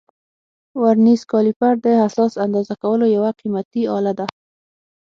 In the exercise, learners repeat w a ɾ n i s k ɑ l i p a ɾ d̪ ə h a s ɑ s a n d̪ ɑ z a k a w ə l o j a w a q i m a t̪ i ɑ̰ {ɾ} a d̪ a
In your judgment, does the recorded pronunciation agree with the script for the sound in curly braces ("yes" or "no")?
no